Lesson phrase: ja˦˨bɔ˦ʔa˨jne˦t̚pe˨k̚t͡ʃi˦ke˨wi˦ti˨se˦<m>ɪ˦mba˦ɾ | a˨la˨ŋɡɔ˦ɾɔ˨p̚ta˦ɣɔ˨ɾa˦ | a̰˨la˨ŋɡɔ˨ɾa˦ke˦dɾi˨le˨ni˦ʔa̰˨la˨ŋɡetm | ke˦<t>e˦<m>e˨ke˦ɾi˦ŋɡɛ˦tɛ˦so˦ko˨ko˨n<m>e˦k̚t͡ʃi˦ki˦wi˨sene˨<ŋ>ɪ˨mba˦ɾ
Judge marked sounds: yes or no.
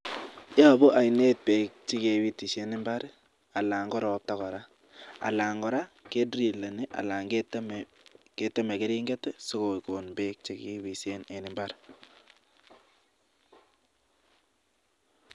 no, yes, yes, no, no

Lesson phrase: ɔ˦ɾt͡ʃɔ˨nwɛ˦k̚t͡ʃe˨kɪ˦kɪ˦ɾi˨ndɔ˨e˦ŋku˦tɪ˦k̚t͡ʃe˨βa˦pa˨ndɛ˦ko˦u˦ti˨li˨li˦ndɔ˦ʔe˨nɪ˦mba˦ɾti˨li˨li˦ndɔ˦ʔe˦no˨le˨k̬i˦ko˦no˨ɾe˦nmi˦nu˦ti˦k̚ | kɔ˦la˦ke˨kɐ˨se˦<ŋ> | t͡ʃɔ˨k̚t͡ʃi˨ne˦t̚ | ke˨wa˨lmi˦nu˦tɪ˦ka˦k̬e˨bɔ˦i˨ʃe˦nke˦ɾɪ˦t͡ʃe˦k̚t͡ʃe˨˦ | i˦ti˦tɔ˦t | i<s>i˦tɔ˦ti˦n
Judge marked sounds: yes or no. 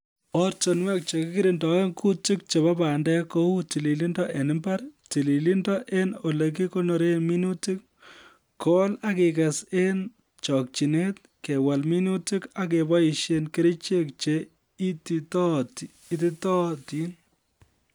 no, no

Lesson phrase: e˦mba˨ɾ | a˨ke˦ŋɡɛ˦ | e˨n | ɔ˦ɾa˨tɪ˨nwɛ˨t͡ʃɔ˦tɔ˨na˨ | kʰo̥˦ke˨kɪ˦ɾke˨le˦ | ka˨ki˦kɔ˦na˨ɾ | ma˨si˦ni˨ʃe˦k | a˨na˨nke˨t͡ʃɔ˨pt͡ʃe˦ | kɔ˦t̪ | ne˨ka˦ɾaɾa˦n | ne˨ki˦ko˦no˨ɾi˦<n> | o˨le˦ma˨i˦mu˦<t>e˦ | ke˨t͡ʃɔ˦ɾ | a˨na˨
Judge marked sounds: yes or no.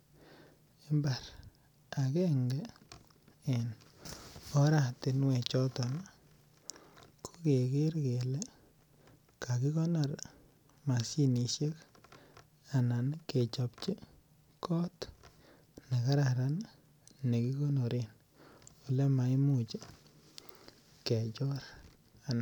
yes, no

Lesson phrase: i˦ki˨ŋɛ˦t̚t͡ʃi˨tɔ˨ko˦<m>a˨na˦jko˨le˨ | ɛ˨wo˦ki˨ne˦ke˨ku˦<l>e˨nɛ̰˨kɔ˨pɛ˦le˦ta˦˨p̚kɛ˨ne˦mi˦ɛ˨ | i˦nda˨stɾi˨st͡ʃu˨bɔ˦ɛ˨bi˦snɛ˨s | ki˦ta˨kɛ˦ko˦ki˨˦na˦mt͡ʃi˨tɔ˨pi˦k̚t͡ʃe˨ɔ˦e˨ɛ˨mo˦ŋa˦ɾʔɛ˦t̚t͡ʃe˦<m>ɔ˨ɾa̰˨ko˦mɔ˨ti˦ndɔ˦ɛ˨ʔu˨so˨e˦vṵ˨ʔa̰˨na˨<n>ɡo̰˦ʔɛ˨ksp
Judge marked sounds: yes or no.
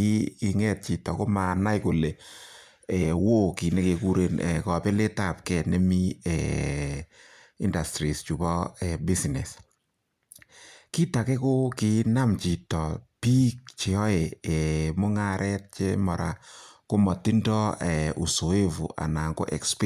yes, no, yes, no

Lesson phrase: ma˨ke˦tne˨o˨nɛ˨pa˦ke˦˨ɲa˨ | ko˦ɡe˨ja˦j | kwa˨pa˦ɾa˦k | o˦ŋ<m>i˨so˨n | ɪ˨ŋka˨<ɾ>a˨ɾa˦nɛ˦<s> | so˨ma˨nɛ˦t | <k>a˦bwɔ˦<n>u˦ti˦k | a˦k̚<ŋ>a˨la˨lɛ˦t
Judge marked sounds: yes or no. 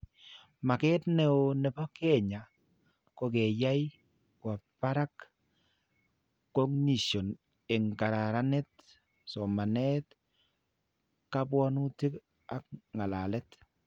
no, yes, no, yes, yes, yes

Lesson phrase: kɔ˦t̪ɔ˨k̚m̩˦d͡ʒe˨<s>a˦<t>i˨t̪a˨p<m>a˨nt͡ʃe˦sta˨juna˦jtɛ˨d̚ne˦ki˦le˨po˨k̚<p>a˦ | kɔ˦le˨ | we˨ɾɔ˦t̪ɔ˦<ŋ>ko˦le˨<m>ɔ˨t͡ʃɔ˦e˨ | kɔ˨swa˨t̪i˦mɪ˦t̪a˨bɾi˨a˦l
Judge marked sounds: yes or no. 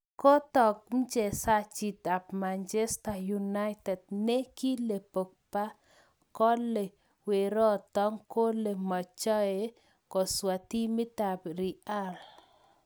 yes, no, yes, yes, yes, yes

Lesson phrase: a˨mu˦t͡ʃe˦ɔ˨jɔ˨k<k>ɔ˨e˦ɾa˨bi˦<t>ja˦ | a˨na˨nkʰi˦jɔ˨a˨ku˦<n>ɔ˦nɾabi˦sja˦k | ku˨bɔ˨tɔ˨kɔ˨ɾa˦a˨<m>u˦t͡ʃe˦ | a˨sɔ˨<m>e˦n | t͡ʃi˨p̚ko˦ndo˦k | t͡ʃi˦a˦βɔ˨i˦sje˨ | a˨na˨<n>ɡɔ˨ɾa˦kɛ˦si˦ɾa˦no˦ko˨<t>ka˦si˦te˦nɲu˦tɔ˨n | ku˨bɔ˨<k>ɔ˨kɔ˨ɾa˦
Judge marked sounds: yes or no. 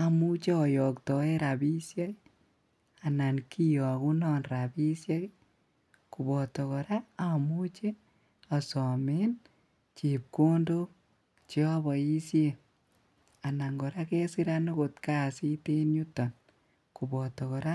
no, no, yes, yes, yes, no, yes, no

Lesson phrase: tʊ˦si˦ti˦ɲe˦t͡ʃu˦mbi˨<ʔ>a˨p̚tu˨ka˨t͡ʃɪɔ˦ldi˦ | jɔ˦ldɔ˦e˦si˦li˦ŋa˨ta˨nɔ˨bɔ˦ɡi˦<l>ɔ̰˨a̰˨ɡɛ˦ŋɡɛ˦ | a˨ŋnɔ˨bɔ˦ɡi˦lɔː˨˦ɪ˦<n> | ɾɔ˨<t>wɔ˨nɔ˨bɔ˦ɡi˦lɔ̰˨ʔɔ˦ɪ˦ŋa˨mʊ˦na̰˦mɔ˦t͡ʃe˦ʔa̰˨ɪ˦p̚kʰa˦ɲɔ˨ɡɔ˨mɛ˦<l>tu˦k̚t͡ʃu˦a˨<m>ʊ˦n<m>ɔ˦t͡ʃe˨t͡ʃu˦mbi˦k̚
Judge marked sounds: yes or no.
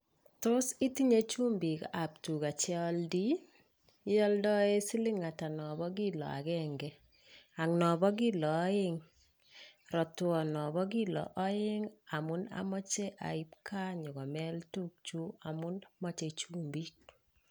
no, yes, no, yes, yes, yes, yes

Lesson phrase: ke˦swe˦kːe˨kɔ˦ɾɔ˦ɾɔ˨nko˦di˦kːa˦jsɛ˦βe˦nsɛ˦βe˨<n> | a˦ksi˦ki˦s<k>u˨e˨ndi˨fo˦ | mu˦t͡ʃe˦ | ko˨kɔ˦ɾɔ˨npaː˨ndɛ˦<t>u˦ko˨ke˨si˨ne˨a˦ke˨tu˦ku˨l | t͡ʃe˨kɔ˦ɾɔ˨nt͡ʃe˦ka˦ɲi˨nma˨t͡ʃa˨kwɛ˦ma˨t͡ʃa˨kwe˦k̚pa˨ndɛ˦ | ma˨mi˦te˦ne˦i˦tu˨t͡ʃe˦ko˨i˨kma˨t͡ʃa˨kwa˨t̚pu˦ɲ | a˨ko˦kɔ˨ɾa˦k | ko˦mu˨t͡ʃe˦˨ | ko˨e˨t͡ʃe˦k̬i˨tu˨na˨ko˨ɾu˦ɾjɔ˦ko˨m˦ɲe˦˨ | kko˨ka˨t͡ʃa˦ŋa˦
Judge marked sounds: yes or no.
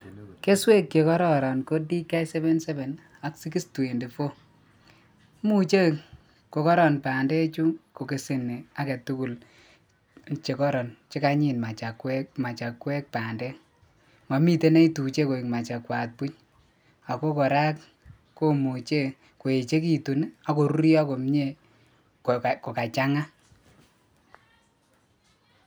yes, no, no

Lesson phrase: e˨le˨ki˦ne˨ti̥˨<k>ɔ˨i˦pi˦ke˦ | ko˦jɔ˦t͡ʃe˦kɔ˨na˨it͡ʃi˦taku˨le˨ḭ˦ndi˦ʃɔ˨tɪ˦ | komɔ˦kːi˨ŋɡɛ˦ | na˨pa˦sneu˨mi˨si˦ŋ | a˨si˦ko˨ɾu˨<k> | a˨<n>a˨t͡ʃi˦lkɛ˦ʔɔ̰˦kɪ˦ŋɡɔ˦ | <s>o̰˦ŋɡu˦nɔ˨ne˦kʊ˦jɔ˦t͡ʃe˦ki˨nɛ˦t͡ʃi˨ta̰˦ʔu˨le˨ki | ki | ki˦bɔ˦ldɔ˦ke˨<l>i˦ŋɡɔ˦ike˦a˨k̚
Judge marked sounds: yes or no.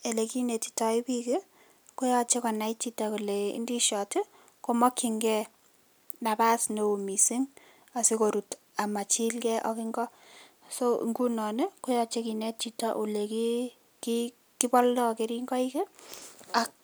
no, no, no, yes, no

